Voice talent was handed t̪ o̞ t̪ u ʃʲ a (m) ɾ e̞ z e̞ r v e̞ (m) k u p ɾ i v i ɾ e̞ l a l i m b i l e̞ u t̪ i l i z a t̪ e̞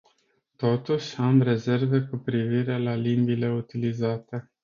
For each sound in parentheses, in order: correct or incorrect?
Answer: correct, incorrect: none

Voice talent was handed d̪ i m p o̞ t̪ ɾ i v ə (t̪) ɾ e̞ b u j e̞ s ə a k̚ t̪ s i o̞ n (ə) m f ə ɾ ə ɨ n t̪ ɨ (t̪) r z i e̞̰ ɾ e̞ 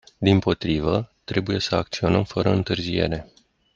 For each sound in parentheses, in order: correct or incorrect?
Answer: correct, correct, incorrect: none

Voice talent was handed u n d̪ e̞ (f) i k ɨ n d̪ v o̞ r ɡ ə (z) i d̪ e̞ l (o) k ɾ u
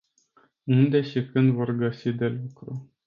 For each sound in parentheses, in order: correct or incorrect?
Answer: incorrect: ʃ, incorrect: s, incorrect: u

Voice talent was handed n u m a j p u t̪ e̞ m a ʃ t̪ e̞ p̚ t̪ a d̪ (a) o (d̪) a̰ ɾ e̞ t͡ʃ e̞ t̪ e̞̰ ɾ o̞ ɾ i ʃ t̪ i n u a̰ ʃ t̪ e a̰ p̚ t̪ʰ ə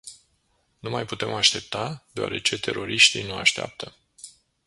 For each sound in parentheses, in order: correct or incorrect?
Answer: incorrect: e, incorrect: none

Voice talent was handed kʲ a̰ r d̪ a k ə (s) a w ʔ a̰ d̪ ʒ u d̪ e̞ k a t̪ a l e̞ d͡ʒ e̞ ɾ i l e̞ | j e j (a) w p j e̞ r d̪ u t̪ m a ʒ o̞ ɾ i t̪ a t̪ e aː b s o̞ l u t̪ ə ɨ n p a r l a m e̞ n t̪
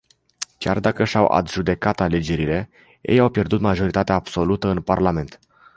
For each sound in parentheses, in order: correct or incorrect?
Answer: incorrect: ʃ, correct

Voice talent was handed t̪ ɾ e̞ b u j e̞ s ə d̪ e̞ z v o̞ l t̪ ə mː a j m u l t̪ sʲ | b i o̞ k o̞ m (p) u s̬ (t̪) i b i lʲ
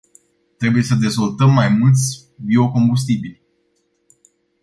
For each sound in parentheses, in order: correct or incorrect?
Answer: incorrect: b, correct

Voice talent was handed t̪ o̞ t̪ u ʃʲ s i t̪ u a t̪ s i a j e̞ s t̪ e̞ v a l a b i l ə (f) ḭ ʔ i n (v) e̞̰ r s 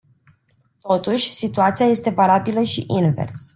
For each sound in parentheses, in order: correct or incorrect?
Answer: incorrect: ʃ, correct

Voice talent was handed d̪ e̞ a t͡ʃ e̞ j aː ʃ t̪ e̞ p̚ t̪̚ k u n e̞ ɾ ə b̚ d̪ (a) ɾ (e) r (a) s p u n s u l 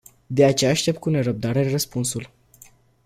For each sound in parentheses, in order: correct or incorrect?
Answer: correct, correct, incorrect: ə

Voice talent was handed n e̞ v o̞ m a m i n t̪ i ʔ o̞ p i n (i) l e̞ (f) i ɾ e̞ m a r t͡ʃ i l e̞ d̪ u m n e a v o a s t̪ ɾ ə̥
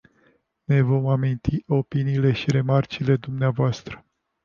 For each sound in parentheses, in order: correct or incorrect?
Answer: incorrect: iː, incorrect: ʃ

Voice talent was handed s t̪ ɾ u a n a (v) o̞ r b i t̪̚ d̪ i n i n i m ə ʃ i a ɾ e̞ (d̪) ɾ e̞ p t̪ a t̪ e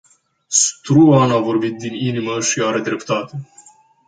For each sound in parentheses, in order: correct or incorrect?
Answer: correct, correct

